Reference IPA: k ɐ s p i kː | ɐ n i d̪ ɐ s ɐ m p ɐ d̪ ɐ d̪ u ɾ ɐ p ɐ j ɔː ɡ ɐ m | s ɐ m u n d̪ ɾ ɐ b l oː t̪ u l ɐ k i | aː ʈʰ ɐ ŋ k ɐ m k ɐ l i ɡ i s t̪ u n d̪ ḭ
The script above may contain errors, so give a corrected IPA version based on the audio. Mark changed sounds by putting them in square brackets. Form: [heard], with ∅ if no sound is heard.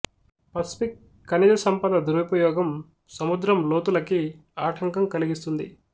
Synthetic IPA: [p] ɐ s p i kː | ɐ n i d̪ ɐ s ɐ m p ɐ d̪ ɐ d̪ u ɾ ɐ p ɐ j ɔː ɡ ɐ m | s ɐ m u [∅] d̪ ɾ ɐ [m] l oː t̪ u l ɐ k i | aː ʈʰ ɐ ŋ k ɐ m k ɐ l i ɡ i s t̪ u n d̪ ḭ